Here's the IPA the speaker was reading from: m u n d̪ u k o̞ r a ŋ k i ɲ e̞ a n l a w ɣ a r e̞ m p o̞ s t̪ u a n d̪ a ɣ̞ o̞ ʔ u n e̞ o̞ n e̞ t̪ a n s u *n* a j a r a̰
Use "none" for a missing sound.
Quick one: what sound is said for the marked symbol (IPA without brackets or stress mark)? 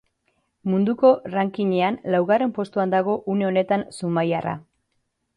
m